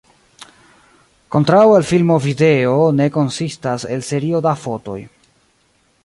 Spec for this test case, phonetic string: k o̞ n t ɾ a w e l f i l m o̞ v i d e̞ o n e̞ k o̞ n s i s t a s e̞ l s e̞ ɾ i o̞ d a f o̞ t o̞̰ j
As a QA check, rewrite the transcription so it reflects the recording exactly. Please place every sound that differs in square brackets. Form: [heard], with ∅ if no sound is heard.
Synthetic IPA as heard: k o̞ n t ɾ a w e l f i l m o̞ v i d e̞ o n e̞ k o̞ n s i s t a s e̞ l s e̞ ɾ i o̞ d a f o̞ t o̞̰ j